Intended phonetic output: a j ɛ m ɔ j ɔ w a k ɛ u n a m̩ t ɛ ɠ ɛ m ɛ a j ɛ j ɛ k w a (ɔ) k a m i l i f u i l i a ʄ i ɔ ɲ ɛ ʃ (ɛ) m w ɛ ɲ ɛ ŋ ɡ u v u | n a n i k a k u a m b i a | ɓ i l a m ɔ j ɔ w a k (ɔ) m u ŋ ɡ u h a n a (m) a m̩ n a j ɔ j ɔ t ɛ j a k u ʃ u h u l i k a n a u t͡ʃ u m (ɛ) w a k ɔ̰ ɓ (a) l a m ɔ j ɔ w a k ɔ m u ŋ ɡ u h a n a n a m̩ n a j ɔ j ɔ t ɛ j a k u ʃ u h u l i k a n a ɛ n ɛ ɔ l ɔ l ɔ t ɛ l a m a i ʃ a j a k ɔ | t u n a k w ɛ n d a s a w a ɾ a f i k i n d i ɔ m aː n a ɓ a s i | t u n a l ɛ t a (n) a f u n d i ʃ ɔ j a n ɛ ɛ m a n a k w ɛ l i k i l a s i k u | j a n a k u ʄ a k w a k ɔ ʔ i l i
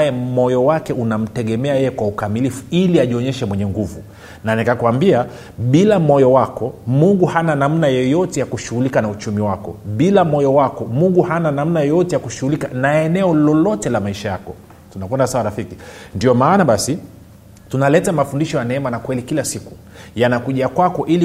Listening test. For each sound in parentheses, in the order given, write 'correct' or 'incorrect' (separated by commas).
incorrect, correct, correct, incorrect, incorrect, incorrect, incorrect